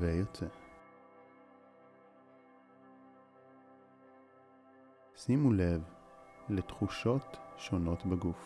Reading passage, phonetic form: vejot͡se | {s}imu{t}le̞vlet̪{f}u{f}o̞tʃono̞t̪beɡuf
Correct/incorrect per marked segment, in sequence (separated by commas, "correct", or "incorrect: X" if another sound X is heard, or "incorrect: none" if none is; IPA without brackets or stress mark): correct, incorrect: none, incorrect: χ, incorrect: ʃ